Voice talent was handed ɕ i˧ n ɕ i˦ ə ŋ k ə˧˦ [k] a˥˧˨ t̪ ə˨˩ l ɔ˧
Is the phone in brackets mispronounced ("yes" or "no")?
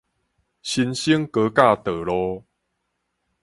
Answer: no